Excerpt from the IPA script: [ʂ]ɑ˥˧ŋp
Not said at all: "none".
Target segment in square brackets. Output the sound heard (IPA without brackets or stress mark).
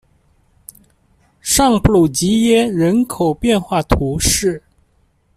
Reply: ʂ